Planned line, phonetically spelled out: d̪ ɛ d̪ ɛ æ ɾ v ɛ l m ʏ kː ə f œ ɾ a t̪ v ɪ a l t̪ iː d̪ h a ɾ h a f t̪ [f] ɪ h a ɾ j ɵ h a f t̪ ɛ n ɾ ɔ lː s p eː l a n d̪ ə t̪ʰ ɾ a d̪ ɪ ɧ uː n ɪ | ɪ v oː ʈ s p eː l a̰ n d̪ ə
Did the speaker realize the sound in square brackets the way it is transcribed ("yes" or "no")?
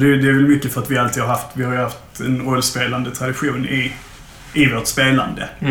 no